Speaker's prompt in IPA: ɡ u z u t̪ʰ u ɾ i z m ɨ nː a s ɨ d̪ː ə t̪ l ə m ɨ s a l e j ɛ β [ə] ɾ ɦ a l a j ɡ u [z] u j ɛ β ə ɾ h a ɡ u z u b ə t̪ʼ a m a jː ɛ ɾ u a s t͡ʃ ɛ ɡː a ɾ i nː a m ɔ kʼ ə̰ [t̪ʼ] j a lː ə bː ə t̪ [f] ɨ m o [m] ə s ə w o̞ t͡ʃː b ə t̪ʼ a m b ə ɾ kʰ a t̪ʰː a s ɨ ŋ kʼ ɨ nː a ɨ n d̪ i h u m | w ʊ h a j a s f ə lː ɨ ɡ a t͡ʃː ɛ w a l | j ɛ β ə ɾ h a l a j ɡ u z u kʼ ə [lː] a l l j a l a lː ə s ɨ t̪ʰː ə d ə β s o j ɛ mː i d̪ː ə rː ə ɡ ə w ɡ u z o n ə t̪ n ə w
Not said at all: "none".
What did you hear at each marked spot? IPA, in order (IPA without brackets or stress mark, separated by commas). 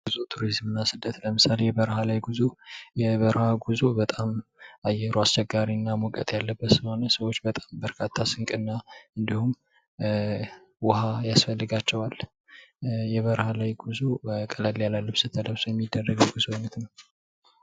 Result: ə, z, t̪ʼ, s, n, l